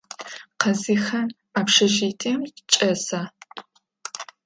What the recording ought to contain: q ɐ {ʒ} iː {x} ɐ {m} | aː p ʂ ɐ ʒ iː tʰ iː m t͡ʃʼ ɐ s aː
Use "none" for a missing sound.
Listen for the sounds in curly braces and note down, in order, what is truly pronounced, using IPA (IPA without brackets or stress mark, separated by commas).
z, x, n